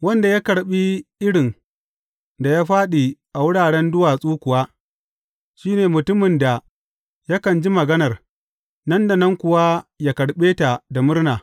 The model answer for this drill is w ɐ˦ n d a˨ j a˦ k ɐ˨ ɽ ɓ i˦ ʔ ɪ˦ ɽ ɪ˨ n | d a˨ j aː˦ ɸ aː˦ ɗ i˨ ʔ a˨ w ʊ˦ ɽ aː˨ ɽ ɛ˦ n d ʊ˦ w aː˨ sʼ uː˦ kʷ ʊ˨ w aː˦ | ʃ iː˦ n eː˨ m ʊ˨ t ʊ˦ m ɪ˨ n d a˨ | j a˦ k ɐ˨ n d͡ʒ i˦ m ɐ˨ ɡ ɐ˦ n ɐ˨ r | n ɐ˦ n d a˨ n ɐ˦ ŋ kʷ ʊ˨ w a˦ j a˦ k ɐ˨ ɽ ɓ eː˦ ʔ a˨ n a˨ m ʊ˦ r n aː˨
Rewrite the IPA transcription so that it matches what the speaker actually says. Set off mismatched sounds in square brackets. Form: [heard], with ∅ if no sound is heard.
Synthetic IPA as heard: w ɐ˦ n d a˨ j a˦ k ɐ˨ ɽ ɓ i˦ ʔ ɪ˦ ɽ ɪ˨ n | d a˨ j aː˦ ɸ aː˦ ɗ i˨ ʔ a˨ w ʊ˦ ɽ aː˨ ɽ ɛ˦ n d ʊ˦ w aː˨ sʼ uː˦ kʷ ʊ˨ w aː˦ | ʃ iː˦ n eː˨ m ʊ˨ t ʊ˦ m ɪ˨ n d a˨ | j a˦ k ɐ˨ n d͡ʒ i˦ m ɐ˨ ɡ ɐ˦ n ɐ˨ r | n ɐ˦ n d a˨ n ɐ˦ ŋ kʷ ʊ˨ w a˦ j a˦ k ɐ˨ ɽ ɓ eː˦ [t] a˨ [d] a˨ m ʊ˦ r n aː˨

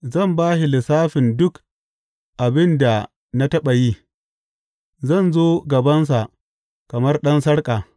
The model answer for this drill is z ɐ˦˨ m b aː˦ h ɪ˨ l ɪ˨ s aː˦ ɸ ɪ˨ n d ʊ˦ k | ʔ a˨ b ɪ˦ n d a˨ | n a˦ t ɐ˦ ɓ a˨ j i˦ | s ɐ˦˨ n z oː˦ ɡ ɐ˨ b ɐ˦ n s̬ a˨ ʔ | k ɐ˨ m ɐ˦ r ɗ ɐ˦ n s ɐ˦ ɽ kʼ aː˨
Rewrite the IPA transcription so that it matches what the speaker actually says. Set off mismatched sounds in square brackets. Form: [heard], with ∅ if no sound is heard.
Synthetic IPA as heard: z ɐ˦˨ m b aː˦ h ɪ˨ l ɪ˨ s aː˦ ɸ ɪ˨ n d ʊ˦ k | ʔ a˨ b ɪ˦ n d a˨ | n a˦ t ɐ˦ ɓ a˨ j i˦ | [z] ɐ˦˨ n z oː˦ ɡ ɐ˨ b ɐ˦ n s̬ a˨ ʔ | k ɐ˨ m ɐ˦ r ɗ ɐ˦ n s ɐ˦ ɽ kʼ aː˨

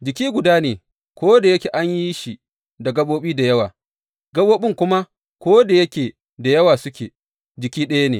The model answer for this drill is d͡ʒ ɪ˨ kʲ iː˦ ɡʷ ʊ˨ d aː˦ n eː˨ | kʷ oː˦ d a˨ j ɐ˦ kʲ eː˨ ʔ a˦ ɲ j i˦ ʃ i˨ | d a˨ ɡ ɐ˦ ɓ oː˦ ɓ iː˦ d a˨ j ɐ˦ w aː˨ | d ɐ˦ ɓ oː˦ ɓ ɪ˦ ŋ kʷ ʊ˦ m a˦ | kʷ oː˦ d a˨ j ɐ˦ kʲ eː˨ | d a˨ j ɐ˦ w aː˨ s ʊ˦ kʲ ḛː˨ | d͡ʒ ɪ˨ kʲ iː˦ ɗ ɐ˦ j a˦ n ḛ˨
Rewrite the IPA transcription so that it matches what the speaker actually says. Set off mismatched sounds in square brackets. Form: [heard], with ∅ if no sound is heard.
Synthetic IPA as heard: d͡ʒ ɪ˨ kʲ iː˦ ɡʷ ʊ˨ d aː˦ n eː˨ | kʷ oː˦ d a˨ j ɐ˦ kʲ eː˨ ʔ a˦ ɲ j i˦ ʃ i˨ | d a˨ ɡ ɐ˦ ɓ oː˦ ɓ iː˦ d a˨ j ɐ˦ w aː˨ | [ɡ] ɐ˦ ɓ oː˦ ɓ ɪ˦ ŋ kʷ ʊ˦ m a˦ | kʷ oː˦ d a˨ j ɐ˦ kʲ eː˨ | d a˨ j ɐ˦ w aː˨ s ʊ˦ kʲ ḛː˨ | d͡ʒ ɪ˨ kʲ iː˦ ɗ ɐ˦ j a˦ n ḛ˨

